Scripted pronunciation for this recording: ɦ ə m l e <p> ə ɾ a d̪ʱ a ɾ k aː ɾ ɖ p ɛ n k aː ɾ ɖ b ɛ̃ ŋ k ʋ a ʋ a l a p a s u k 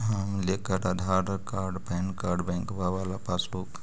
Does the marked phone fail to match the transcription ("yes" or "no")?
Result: yes